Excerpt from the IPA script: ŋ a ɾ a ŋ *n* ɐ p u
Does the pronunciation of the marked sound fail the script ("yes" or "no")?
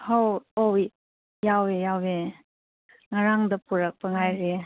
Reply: yes